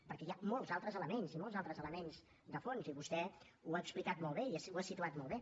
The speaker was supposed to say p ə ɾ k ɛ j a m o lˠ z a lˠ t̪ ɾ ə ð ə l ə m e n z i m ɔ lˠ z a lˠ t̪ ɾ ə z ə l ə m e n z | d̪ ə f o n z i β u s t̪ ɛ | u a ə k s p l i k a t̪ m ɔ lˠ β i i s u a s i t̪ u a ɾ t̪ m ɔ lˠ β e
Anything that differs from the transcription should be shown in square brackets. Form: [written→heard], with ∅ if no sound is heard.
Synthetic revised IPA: p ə ɾ k ɛ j a m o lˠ z a lˠ t̪ ɾ ə [ð→z] ə l ə m e n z i m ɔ lˠ z a lˠ t̪ ɾ ə z ə l ə m e n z | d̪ ə f o n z i β u s t̪ ɛ | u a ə k s p l i k a t̪ m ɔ lˠ β [i→e] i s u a s i t̪ u a [ɾ→∅] t̪ m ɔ lˠ β e